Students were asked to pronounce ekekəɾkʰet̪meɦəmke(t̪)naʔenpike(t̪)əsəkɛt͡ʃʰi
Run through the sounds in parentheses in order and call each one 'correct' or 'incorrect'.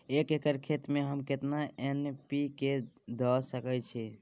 correct, incorrect: d̪

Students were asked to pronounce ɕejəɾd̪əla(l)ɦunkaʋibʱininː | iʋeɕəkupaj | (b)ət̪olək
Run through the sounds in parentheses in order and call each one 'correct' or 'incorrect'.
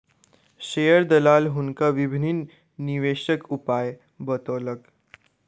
correct, correct

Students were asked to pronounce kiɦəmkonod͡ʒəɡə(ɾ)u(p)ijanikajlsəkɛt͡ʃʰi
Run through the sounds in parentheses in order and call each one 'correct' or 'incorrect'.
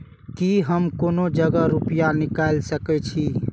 correct, correct

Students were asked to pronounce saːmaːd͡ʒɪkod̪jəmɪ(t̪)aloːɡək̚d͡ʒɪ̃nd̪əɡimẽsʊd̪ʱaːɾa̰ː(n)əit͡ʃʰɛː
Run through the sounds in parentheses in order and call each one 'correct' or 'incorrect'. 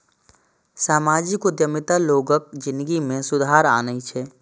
correct, correct

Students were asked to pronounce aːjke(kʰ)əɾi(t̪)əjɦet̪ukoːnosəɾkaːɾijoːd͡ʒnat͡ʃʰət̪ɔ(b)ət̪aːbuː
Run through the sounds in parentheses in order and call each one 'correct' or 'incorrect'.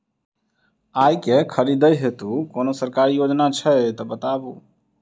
correct, incorrect: d̪, correct

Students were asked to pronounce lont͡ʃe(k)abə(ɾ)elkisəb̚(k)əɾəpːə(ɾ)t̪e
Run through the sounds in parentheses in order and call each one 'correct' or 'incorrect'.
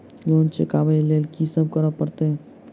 correct, incorrect: l, correct, correct

